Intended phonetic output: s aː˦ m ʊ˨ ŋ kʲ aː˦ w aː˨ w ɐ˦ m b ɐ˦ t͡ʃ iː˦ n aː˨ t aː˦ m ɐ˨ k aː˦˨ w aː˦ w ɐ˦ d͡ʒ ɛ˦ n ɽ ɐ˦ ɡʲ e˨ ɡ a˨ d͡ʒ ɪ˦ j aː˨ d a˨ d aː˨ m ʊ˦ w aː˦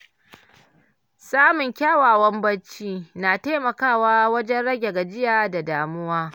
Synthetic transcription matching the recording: s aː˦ m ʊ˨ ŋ kʲ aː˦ w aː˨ w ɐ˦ m b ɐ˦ t͡ʃ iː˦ n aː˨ t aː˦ m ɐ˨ k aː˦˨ w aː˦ w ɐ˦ d͡ʒ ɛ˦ n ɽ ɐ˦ ɡʲ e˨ ɡ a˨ d͡ʒ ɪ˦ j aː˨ d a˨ d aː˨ m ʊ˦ w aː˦